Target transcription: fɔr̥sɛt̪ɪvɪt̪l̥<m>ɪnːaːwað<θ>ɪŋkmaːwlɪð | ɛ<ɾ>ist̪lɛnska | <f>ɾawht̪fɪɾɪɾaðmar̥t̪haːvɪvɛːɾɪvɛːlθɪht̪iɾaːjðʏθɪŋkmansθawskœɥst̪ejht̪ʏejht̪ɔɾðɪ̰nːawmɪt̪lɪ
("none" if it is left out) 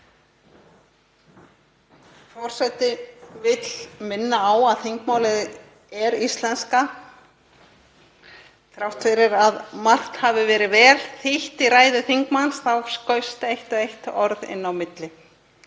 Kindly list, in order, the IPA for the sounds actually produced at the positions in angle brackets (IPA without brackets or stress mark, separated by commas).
m, θ, ɾ, θ